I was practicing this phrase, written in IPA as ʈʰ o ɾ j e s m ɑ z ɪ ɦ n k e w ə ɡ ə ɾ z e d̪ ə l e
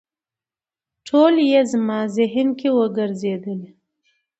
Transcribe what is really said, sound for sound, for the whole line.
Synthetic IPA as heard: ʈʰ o l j e z m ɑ z ɪ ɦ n k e w ə ɡ ə ɾ z e d̪ ə l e